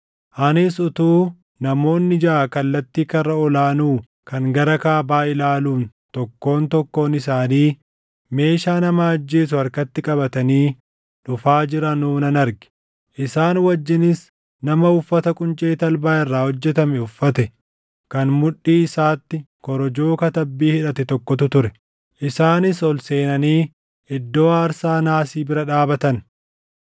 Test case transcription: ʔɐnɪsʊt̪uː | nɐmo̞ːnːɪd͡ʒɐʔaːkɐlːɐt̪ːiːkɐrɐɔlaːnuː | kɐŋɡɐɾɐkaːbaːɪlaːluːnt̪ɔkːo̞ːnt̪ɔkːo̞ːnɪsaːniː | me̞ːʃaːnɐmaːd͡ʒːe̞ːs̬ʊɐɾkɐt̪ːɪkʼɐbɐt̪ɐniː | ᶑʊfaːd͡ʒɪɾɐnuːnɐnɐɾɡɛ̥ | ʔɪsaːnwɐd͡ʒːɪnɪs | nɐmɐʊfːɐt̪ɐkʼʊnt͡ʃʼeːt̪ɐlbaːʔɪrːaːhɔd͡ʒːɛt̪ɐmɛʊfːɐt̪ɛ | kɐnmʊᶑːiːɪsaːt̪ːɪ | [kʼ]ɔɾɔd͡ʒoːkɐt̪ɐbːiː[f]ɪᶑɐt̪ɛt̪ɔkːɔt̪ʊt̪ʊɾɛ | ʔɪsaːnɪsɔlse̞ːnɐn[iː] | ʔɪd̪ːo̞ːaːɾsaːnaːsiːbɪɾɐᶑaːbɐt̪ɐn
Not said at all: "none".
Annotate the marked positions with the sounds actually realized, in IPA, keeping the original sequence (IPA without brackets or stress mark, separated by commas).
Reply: k, h, iː